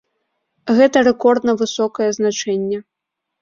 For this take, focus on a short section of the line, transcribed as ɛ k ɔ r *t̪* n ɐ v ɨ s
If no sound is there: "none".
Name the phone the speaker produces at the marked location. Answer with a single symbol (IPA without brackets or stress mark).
d̪